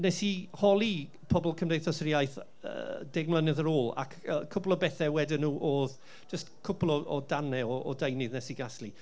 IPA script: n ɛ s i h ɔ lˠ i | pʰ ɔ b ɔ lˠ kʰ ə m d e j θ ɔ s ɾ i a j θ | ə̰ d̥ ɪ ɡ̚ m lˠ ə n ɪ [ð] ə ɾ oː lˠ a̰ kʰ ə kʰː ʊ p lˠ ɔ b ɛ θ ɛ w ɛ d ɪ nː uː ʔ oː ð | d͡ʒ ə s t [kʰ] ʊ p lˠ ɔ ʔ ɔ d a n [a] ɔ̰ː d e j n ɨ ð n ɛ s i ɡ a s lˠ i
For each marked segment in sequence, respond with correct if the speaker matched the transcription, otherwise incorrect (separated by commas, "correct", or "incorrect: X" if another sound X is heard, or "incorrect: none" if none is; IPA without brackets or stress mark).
correct, correct, incorrect: ɛ